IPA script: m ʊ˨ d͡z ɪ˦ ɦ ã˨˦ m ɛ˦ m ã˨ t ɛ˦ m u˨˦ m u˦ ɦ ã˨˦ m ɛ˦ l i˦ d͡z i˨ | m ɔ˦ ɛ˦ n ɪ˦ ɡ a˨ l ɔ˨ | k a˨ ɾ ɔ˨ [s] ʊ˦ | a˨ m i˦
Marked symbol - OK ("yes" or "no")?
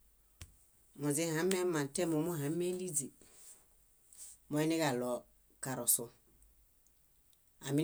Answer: yes